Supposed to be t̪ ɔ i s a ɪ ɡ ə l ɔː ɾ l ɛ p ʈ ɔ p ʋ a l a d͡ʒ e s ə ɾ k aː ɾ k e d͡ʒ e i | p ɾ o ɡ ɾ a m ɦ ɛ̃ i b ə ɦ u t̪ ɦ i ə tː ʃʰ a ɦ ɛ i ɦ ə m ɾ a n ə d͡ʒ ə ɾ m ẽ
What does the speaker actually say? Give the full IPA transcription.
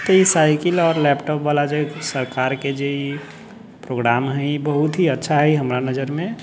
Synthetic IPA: t̪ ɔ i s a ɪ k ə l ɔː ɾ l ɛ p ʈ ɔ p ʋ a l a d͡ʒ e s ə ɾ k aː ɾ k e d͡ʒ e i | p ɾ o ɡ ɾ a m ɦ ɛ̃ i b ə ɦ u t̪ ɦ i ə tː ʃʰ a ɦ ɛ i ɦ ə m ɾ a n ə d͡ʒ ə ɾ m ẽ